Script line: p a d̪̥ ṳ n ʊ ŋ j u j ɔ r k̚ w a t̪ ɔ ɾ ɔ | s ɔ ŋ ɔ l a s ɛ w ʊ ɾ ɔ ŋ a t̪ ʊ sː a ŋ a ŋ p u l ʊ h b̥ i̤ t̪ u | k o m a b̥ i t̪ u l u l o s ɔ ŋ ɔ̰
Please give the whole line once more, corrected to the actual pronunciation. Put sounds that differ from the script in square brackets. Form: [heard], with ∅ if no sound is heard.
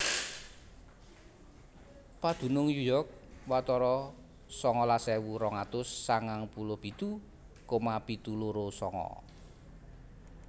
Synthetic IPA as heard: p a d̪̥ ṳ n ʊ ŋ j u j ɔ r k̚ w a t̪ ɔ ɾ ɔ | s ɔ ŋ ɔ l a s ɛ w [u] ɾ ɔ ŋ a t̪ ʊ sː a ŋ a ŋ p u l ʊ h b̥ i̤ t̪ u | k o m a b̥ i t̪ u l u [ɾ] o s ɔ ŋ ɔ̰

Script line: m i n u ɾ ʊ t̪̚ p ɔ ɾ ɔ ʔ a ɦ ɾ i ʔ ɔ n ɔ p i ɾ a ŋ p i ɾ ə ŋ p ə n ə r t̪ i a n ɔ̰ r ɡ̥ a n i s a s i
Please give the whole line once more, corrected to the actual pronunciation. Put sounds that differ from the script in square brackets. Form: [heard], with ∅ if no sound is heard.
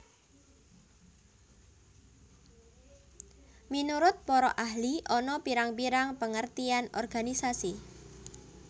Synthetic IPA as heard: m i n u ɾ ʊ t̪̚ p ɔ ɾ ɔ ʔ a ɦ [l] i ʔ ɔ n ɔ p i ɾ a ŋ p i ɾ [a] ŋ p ə [ŋ] ə r t̪ i a n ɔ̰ r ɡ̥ a n i s a s i

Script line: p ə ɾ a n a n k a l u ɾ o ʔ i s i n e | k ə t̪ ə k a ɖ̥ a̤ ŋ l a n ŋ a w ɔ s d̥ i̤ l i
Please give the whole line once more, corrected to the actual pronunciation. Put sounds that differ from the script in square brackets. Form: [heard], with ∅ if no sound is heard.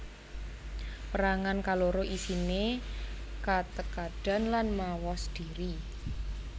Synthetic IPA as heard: p ə ɾ a [ŋ] a n k a l [o] ɾ o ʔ i s i n e | k [a] t̪ ə k a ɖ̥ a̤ [n] l a n [m] a w ɔ s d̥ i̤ [ɾ] i

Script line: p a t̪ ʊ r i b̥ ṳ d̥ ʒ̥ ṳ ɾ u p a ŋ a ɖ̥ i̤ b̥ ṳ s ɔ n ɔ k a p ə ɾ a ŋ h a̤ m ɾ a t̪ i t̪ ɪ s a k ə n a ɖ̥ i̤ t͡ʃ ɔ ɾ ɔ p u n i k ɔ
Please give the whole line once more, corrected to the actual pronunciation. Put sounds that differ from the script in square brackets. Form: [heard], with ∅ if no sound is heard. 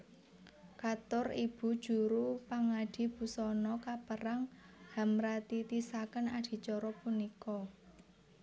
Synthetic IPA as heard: [k] a t̪ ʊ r i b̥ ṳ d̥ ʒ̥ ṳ ɾ u p a ŋ a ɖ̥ i̤ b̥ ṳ s ɔ n ɔ k a p ə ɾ a ŋ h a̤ m ɾ a t̪ i t̪ [i] s a k ə n a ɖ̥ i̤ t͡ʃ ɔ ɾ ɔ p u n i k ɔ

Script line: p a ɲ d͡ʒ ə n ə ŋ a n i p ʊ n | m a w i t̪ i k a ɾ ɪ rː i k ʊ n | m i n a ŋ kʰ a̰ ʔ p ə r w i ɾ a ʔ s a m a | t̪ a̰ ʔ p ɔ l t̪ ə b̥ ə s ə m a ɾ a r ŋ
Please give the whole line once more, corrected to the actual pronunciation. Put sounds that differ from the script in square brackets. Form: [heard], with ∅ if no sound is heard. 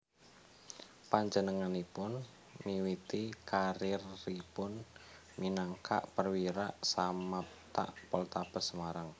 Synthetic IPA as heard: p a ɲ d͡ʒ ə n ə ŋ a n i p ʊ n | m [i] w i t̪ i k a ɾ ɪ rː i [p] ʊ n | m i n a ŋ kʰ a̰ ʔ p ə r w i ɾ a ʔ s a m a | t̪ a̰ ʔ p ɔ l t̪ [a] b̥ ə s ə m a ɾ a [∅] ŋ

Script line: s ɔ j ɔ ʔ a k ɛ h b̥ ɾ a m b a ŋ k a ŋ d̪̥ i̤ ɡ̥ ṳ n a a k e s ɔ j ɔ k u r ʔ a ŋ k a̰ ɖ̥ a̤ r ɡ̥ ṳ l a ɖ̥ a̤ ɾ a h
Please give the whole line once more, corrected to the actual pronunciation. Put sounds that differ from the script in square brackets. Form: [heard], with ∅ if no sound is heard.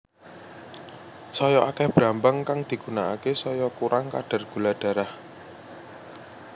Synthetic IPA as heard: s ɔ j ɔ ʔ a k ɛ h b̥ ɾ a m b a ŋ k a ŋ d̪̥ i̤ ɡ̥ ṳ n a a k e s ɔ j ɔ k u [ɾ] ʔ a ŋ k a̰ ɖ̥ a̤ r ɡ̥ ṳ l a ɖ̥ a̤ ɾ a h

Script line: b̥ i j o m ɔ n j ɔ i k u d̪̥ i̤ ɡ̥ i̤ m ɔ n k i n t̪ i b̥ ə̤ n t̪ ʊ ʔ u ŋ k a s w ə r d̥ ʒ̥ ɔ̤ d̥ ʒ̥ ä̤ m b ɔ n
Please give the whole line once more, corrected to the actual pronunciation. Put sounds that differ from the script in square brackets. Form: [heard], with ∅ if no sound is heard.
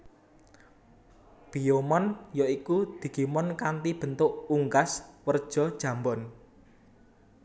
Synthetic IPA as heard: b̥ i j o m ɔ n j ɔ i k u d̪̥ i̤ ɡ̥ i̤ m ɔ n k [a] n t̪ i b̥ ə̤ n t̪ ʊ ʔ u ŋ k a s w ə r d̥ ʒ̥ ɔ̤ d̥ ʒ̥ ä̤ m b ɔ n

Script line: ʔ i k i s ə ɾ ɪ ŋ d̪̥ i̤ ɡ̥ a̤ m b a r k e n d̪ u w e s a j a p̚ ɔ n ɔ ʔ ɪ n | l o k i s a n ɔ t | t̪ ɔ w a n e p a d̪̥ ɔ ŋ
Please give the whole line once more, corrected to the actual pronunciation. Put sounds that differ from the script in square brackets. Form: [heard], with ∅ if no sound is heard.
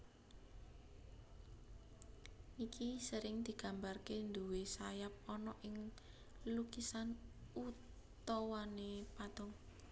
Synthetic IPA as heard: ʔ i k i s ə ɾ ɪ ŋ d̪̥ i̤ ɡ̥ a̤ m b a r k e n d̪ u w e s a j a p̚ ɔ n ɔ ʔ ɪ [ŋ] | l [u] k i s a n [u] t | t̪ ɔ w a n e p a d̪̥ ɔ ŋ

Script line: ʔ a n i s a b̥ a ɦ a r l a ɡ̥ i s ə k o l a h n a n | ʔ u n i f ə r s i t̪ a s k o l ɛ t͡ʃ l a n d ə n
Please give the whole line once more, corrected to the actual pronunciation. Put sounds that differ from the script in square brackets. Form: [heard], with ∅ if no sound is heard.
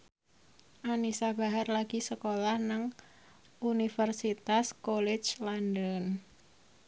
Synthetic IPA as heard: ʔ a n i s a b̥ a ɦ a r l a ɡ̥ i s ə k o l a h n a [ŋ] | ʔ u n i f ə r s i t̪ a s k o l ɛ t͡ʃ l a n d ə n

